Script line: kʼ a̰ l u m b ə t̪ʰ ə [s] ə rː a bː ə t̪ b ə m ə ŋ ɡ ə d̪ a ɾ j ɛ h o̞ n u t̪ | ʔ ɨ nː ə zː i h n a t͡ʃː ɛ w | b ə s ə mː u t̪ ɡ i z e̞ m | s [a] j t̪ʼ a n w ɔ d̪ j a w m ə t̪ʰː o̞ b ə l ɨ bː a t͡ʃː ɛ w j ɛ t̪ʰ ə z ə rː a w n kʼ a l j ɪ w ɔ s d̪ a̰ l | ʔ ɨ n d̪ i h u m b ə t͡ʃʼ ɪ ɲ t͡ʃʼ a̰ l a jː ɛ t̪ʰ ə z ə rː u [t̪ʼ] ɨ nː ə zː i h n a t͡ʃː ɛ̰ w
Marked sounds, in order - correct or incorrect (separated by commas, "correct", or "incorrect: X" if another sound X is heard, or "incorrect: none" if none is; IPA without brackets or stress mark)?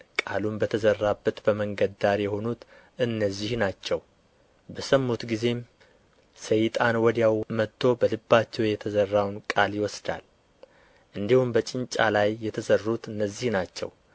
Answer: incorrect: z, incorrect: ə, incorrect: t̪